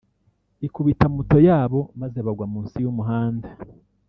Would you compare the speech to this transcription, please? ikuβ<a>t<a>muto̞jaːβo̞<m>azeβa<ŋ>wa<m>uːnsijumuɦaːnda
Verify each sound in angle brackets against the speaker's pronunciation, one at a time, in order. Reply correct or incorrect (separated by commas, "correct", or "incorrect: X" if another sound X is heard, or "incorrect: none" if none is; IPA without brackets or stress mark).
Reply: incorrect: i, correct, correct, incorrect: ɡ, correct